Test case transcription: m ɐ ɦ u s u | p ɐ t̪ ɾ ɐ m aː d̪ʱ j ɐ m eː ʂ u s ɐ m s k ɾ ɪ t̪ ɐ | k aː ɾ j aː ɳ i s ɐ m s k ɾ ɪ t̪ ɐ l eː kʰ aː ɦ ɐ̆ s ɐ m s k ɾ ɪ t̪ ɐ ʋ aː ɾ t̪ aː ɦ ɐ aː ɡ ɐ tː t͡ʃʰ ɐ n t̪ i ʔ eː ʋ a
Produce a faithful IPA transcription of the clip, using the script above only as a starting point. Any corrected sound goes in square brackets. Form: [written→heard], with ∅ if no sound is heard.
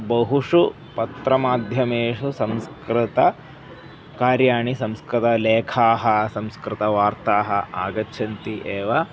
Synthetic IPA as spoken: [m→b] ɐ ɦ u [s→ʂ] u | p ɐ t̪ ɾ ɐ m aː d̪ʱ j ɐ m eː ʂ u s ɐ m s k ɾ ɪ t̪ ɐ | k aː ɾ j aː ɳ i s ɐ m s k ɾ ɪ t̪ ɐ l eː kʰ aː ɦ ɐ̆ s ɐ m s k ɾ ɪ t̪ ɐ ʋ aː ɾ t̪ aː ɦ ɐ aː ɡ ɐ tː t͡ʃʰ ɐ n t̪ i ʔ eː ʋ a